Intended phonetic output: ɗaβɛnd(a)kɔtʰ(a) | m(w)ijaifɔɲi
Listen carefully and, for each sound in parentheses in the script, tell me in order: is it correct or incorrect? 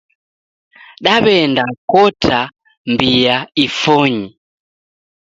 correct, correct, incorrect: b

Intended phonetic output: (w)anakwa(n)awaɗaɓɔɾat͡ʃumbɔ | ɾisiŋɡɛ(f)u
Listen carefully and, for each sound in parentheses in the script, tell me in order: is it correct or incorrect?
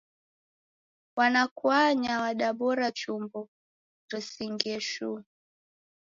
correct, incorrect: ɲ, incorrect: ʃ

